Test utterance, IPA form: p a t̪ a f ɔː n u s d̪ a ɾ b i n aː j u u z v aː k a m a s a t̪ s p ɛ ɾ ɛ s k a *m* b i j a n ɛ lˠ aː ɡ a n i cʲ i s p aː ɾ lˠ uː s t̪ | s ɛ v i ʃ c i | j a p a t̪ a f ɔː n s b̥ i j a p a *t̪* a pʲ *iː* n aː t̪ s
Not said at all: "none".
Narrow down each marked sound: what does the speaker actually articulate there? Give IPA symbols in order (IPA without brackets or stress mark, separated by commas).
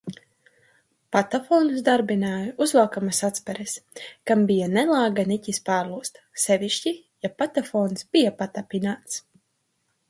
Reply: m, t̪, i